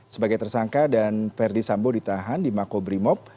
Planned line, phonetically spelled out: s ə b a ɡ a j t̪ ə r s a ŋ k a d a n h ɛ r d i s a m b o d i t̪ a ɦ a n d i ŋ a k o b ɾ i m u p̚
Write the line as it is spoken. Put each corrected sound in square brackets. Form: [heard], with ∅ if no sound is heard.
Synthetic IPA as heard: s ə b a ɡ a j t̪ ə r s a ŋ k a d a n [f] ɛ r d i s a m b o d i t̪ a ɦ a n d i [m] a k o b ɾ i m [ɔ] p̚